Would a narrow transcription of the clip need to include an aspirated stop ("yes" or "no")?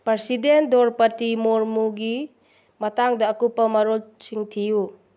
yes